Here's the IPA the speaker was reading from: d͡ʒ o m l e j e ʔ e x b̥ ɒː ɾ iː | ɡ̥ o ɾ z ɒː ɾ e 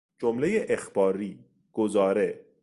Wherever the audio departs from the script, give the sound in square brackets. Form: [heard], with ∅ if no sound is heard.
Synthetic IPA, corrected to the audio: d͡ʒ o m l e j e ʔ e x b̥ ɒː ɾ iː | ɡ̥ o [∅] z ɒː ɾ e

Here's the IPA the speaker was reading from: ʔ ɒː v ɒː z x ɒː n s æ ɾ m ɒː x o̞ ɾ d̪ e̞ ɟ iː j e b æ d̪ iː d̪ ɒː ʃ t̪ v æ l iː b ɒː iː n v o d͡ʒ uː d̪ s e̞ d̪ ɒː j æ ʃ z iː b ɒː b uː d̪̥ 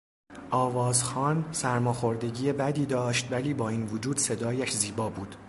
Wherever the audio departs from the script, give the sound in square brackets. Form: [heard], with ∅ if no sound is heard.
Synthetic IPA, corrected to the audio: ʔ ɒː v ɒː z x ɒː n s æ ɾ m ɒː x o̞ ɾ d̪ e̞ ɟ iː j e b æ d̪ iː d̪ ɒː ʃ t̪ v æ l iː b ɒː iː n v o d͡ʒ uː d̪ s e̞ d̪ ɒː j æ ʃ z iː b ɒː b uː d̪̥

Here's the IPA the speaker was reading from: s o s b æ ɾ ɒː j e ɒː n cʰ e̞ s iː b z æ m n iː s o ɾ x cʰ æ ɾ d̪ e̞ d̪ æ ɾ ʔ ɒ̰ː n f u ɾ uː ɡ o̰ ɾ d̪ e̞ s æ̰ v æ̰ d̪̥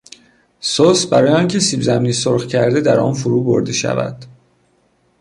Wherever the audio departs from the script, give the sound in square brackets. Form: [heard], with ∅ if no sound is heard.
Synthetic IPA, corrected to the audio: s o s b æ ɾ ɒː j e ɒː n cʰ e̞ s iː b z æ m n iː s o ɾ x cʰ æ ɾ d̪ e̞ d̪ æ ɾ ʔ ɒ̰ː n f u ɾ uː [b] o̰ ɾ d̪ e̞ [ʃ] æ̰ v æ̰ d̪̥

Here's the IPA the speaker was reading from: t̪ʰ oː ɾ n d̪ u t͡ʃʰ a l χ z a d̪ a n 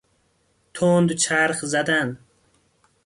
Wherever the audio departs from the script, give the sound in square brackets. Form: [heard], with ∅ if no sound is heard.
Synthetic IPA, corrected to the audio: t̪ʰ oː [∅] n d̪ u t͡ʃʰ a [ɾ] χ z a d̪ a n

